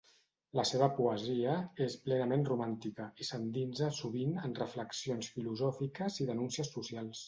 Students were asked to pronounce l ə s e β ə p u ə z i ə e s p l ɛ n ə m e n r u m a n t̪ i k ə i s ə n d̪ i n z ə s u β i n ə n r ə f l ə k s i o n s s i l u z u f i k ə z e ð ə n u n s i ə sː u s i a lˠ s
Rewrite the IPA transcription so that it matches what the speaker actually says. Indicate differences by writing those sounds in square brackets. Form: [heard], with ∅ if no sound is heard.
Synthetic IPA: l ə s e β ə p u ə z i ə e s p l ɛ n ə m e n r u m a n t̪ i k ə i s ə n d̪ i n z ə s u β i n ə n r ə f l ə k s i o n s [f] i l u z [ɔ] f i k ə z [i] ð ə n u n s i ə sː u s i a lˠ s